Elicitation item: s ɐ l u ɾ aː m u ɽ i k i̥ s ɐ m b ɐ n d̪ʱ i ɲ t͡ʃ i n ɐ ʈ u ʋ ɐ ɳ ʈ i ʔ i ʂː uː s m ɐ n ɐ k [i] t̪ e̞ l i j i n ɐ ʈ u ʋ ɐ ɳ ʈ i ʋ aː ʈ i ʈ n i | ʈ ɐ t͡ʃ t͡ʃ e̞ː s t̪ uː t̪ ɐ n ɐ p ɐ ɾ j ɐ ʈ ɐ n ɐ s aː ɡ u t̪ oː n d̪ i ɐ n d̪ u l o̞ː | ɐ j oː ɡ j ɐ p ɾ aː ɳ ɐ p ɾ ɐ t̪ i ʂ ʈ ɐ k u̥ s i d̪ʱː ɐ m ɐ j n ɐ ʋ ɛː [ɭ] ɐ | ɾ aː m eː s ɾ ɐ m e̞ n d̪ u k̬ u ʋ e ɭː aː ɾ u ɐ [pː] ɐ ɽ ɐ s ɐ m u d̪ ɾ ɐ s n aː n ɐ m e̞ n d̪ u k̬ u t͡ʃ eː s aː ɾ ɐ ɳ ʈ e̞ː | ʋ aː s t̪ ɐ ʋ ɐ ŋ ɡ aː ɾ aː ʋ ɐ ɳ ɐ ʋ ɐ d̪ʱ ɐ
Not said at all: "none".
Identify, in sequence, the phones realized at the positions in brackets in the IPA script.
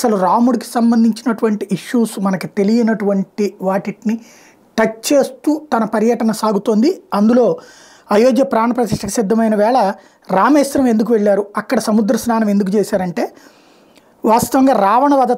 i, ɭ, kː

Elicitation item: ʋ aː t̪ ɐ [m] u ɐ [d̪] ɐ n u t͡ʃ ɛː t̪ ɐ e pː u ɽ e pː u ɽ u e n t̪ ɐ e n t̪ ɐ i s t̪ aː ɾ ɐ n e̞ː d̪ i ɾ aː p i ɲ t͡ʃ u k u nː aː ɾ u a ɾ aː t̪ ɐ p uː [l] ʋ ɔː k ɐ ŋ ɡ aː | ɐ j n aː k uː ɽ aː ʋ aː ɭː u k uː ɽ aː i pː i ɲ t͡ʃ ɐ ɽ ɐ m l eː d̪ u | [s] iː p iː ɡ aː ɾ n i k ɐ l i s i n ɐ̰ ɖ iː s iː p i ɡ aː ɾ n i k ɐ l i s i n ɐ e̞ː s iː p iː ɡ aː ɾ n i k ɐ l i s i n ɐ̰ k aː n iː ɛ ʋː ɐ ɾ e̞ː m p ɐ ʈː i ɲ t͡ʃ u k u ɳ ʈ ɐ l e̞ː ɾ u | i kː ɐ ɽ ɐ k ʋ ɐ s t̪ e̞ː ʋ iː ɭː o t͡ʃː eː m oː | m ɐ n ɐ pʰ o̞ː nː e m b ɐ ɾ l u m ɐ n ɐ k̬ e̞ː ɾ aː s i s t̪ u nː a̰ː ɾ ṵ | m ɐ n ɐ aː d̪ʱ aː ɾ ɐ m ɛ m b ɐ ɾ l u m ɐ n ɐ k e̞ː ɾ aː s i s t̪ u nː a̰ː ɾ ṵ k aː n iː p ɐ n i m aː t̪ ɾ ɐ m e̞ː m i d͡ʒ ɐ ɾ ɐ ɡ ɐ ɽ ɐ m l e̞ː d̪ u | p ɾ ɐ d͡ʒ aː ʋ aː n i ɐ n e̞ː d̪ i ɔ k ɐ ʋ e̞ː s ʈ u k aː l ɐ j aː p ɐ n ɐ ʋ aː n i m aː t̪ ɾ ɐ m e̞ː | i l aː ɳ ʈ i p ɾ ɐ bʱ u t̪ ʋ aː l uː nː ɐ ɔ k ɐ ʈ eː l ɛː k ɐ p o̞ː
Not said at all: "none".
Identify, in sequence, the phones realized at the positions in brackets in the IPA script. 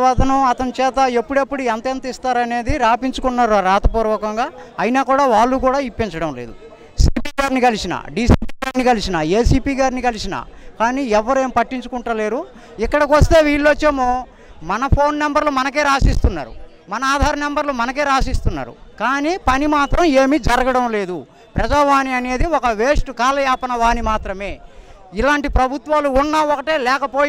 n, t̪, ɾ, s

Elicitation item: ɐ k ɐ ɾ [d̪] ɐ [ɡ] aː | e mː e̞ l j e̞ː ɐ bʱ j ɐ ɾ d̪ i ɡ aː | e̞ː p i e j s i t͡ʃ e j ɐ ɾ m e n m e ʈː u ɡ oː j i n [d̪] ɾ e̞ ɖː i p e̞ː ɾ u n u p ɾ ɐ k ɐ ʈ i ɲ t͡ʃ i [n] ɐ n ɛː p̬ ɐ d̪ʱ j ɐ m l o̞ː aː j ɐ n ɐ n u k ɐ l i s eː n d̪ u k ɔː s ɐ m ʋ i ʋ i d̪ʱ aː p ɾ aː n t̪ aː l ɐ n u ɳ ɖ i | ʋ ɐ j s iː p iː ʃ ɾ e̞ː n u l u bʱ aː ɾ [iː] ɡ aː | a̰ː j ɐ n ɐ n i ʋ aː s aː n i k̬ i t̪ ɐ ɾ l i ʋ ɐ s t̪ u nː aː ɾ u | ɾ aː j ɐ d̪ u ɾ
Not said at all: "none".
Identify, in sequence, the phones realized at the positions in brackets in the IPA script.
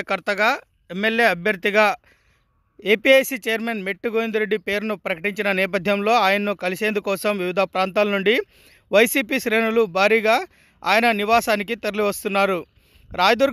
t̪, ɡ, d̪, n, iː

